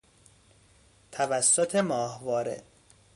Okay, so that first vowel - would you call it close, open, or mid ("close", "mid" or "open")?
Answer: open